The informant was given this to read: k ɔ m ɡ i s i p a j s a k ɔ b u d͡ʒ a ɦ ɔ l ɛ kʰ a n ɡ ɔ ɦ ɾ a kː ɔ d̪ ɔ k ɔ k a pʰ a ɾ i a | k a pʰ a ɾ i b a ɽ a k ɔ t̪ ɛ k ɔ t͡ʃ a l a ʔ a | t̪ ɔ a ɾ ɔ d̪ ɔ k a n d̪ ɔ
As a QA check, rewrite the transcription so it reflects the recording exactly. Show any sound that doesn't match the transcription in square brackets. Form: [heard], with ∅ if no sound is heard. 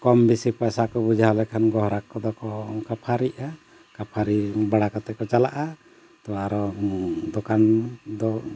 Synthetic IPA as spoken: k ɔ m [b] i s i p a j s a k ɔ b u d͡ʒ a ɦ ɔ l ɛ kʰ a n ɡ ɔ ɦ ɾ a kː ɔ d̪ ɔ k ɔ k a pʰ a ɾ i a | k a pʰ a ɾ i b a ɽ a k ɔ t̪ ɛ k ɔ t͡ʃ a l a ʔ a | t̪ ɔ a ɾ ɔ d̪ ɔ k a n d̪ ɔ